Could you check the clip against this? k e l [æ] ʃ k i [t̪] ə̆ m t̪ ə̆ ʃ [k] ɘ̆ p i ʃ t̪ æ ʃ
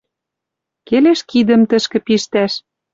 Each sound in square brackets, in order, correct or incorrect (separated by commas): incorrect, incorrect, correct